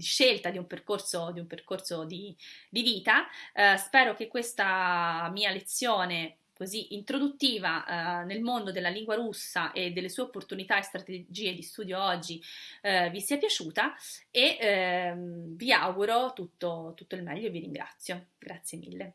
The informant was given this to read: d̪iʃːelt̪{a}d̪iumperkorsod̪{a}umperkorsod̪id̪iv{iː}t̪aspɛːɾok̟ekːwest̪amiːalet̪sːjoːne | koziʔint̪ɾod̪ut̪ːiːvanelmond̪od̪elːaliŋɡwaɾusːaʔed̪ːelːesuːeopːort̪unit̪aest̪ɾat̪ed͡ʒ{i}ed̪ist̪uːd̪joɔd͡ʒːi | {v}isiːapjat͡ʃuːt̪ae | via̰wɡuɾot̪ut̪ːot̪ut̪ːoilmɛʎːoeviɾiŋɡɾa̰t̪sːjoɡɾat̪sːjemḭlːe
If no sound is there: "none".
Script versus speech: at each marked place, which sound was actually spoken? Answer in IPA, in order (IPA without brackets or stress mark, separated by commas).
a, i, iː, iː, v